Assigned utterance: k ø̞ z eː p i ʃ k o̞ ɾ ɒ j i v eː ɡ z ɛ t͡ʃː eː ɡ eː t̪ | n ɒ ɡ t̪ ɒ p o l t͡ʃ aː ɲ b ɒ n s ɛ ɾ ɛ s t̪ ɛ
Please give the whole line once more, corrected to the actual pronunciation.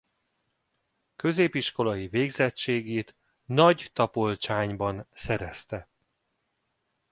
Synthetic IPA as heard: k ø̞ z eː p i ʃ k o̞ l ɒ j i v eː ɡ z ɛ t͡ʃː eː ɡ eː t̪ | n ɒ ɟ t̪ ɒ p o l t͡ʃ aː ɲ b ɒ n s ɛ ɾ ɛ s t̪ ɛ